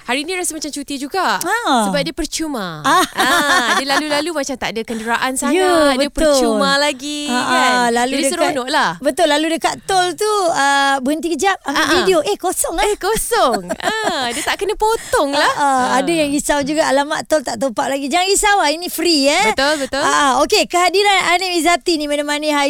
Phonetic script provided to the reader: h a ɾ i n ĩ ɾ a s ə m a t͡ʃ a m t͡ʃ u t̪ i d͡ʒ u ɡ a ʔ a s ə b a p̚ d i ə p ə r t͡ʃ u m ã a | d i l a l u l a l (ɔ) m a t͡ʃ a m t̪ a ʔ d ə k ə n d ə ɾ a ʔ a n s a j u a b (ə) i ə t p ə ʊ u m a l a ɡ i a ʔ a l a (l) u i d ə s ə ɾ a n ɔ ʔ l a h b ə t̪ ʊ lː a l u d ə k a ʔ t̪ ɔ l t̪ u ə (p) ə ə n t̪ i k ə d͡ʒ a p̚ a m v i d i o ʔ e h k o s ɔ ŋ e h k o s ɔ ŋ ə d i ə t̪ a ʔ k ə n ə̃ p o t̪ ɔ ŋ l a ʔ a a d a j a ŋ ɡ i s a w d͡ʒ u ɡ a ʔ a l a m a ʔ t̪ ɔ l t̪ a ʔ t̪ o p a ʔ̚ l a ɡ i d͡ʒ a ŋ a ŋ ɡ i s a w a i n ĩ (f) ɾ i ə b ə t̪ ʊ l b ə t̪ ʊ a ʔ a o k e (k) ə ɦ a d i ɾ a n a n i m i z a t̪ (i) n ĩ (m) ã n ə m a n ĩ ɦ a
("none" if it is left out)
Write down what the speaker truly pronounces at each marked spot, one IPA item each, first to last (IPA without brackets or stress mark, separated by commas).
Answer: u, ə, l, b, f, k, i, m